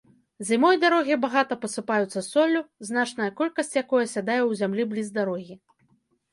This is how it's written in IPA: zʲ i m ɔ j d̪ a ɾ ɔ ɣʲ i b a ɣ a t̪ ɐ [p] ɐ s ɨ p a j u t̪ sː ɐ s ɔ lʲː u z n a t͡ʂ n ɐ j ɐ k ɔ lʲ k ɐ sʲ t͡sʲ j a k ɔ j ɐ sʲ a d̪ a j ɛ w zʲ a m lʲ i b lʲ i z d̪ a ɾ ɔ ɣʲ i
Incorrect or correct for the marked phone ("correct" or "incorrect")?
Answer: correct